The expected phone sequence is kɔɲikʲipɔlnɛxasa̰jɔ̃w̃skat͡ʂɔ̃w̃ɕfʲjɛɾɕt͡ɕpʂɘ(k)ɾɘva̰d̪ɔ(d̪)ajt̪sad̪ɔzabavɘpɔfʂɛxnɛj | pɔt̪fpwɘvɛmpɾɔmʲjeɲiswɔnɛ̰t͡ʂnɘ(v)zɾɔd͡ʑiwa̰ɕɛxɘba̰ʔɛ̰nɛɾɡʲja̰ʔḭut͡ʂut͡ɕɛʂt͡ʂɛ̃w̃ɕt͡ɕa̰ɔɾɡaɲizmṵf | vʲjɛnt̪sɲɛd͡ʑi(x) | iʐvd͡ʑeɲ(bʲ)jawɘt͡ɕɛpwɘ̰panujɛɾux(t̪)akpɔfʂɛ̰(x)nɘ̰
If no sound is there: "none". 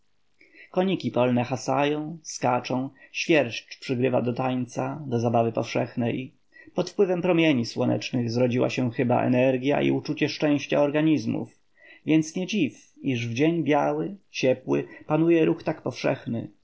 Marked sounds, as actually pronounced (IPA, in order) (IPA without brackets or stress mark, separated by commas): ɡ, t̪, ɣ, f, bʲ, t̪, x